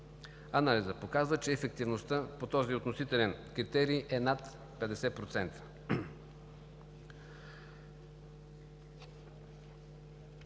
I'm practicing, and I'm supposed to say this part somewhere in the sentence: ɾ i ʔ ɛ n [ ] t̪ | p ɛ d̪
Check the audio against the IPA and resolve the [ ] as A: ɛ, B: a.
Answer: B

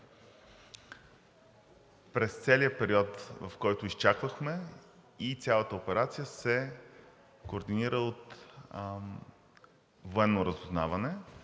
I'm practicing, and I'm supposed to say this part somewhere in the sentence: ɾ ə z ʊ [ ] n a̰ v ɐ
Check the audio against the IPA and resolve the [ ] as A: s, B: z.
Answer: B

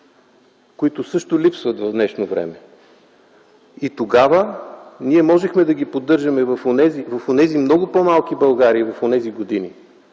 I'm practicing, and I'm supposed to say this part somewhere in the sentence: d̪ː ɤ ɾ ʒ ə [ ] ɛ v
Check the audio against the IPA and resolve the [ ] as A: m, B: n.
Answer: A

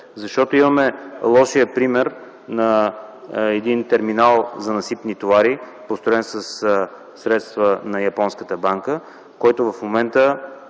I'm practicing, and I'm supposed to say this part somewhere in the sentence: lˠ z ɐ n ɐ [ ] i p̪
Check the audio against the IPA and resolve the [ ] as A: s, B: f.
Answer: A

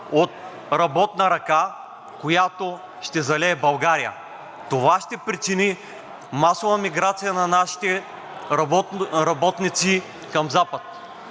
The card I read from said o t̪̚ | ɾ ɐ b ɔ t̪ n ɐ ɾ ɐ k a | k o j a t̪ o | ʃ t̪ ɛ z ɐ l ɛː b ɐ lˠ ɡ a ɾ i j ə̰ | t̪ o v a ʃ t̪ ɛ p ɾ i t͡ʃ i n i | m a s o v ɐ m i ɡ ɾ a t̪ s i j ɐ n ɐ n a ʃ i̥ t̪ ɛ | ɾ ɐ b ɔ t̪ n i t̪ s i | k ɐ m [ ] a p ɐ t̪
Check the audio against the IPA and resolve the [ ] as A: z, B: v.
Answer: A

